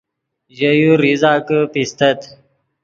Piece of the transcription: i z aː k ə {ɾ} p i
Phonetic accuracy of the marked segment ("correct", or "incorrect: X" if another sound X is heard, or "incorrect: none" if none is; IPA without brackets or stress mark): incorrect: none